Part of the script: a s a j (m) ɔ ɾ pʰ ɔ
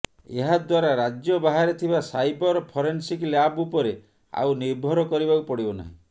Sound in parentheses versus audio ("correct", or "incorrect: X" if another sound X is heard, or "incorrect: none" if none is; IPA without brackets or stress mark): incorrect: b